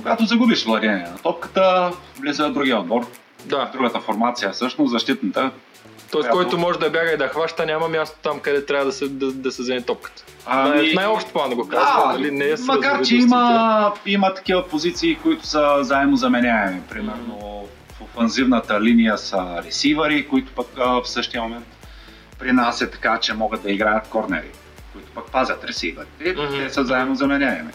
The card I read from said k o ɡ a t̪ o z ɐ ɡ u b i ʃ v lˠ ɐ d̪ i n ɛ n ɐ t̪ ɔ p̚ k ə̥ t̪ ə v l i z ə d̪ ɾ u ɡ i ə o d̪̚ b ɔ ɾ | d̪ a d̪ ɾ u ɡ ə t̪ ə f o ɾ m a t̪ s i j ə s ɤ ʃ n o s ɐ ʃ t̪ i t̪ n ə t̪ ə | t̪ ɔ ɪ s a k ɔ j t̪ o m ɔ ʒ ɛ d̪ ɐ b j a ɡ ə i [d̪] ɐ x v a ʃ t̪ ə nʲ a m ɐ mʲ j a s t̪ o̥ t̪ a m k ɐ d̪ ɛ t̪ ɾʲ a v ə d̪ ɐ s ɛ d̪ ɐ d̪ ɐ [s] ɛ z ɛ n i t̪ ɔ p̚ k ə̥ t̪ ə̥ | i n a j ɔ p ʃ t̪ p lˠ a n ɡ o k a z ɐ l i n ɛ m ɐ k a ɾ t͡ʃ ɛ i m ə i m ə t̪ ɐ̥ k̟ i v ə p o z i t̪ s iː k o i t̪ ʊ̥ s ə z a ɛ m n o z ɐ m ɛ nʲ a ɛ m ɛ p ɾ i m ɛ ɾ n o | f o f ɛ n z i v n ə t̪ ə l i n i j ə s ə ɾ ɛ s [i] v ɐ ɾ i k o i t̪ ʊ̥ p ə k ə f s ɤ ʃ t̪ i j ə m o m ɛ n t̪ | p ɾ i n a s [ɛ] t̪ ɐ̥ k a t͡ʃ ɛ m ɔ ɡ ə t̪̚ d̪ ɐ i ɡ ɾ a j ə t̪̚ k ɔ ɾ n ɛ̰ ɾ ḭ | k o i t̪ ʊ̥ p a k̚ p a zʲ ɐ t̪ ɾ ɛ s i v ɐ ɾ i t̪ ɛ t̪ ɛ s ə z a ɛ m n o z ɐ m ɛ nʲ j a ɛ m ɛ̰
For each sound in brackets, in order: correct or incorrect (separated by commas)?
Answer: correct, correct, correct, correct